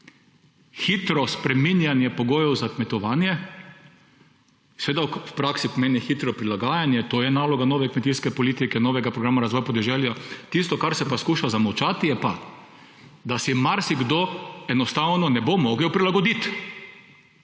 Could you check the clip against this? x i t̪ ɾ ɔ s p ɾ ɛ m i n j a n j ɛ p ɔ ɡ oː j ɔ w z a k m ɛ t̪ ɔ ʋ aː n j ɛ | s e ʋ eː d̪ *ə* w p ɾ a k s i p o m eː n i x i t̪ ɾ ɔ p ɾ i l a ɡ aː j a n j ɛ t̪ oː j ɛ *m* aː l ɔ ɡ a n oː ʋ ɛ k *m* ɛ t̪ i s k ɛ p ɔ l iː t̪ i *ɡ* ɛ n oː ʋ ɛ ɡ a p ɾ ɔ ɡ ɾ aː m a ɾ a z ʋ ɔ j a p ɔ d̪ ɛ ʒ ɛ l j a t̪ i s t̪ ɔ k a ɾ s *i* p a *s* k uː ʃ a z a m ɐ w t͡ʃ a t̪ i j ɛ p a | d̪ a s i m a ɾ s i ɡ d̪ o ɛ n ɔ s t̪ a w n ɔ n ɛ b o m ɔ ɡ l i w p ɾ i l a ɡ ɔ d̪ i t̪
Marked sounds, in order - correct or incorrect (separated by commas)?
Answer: incorrect, incorrect, correct, incorrect, incorrect, correct